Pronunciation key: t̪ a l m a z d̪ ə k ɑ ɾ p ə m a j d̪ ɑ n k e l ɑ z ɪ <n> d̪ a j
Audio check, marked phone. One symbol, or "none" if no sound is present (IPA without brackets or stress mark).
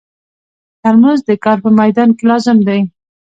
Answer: m